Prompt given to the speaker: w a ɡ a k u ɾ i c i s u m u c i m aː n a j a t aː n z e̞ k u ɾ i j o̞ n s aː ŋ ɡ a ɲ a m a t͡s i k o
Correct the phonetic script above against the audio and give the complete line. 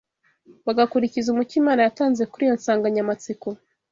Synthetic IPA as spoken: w a ɡ a k u ɾ i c i z u m u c i m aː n a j a t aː n z e̞ k u ɾ i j o̞ n s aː ŋ ɡ a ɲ a m a t͡s i k o